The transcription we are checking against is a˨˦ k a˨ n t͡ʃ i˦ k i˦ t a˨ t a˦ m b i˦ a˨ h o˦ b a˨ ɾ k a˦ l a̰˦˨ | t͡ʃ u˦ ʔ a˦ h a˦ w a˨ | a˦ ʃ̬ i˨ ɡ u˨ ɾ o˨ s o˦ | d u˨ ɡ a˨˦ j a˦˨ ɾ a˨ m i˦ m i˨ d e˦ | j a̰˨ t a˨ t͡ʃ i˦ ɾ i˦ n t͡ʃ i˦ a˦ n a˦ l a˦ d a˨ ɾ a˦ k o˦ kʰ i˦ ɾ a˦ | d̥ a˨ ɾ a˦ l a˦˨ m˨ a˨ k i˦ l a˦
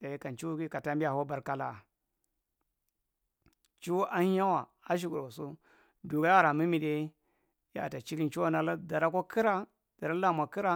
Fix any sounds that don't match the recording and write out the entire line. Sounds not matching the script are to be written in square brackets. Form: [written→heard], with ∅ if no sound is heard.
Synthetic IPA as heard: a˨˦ k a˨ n t͡ʃ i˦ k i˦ [t→k] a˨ t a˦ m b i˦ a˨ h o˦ b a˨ ɾ k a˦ l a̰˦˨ | t͡ʃ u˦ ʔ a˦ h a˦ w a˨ | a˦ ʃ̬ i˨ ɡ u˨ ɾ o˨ s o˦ | d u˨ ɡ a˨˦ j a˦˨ ɾ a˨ m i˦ m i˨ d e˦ | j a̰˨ t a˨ t͡ʃ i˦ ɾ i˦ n t͡ʃ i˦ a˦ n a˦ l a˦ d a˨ ɾ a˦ k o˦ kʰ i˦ ɾ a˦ | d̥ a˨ ɾ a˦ l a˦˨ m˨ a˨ k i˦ [l→ɾ] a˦